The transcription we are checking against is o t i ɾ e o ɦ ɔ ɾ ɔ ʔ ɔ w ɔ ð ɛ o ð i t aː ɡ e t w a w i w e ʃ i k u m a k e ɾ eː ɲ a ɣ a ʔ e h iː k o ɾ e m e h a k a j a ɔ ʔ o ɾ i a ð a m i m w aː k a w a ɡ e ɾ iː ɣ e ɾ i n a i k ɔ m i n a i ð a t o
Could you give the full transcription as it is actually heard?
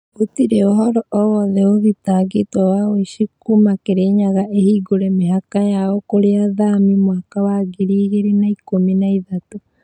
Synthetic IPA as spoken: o t i ɾ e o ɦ ɔ ɾ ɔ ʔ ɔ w ɔ ð ɛ o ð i t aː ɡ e t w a w a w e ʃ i k u m a k e ɾ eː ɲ a ɣ a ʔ e h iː ɡ o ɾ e m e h a k a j a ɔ k o ɾ e a ð a m i m w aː k a w a ɡ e ɾ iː ɣ e ɾ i n a i k o m i n a i ð a t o